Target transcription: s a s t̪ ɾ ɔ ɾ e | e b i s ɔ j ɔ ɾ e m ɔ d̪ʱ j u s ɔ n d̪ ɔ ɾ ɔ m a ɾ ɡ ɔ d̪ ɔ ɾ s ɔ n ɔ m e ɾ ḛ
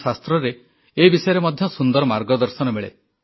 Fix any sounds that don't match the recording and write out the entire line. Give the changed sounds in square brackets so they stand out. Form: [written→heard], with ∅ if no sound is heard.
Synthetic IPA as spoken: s a s t̪ ɾ ɔ ɾ e | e b i s ɔ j ɔ ɾ e m ɔ d̪ʱ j [u→ɔ] s [ɔ→u] n d̪ ɔ ɾ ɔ m a ɾ ɡ ɔ d̪ ɔ ɾ s ɔ n ɔ m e [ɾ→ɭ] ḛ